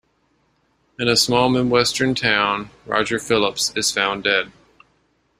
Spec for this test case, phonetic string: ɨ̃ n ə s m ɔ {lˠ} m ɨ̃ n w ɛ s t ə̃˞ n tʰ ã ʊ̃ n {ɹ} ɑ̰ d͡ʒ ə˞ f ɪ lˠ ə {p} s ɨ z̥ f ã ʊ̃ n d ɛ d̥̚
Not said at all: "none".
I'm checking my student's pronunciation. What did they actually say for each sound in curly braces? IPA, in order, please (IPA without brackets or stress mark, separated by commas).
lˠ, ɹ, p